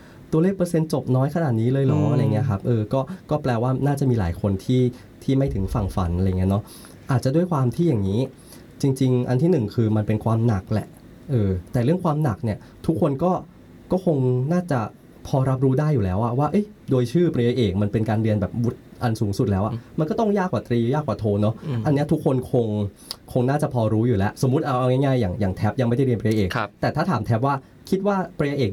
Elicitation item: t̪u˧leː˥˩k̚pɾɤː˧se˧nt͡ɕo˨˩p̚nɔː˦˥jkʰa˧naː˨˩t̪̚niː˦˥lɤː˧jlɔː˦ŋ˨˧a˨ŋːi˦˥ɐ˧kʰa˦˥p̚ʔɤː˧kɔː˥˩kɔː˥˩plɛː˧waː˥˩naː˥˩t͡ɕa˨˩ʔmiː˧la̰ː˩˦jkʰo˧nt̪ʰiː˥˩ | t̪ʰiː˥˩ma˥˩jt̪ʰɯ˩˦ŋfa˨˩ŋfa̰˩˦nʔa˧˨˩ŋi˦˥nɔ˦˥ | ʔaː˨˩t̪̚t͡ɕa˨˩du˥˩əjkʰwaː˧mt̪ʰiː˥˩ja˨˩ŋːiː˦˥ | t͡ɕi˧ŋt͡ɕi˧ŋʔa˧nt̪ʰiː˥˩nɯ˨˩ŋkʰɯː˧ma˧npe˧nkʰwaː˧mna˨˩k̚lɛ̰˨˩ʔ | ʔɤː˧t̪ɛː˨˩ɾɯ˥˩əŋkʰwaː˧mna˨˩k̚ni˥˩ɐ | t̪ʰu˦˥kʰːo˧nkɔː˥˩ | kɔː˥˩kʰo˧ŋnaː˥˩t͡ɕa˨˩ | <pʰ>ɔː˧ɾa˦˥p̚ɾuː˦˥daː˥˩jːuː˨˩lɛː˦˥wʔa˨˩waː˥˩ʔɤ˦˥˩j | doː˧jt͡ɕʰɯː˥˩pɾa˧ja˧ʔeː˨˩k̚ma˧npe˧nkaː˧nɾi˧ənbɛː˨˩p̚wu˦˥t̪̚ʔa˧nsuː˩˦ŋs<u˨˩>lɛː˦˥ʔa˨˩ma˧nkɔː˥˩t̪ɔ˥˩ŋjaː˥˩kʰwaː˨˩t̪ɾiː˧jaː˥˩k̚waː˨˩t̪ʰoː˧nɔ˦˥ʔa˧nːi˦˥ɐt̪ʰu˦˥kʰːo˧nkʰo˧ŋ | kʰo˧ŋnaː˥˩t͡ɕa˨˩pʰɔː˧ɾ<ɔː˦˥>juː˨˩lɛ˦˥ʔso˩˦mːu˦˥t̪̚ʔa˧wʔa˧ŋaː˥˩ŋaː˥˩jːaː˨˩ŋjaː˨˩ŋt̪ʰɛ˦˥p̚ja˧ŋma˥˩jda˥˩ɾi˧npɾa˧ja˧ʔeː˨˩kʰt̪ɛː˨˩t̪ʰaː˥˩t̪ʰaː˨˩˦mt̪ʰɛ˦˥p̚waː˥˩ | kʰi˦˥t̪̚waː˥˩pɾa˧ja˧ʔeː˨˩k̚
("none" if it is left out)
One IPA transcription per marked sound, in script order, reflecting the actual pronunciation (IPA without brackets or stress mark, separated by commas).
pʰ, u˨˩, uː˦˥